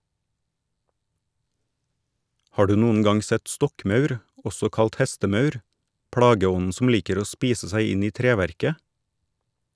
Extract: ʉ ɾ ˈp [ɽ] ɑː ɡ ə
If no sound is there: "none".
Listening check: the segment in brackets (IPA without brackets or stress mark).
ɽ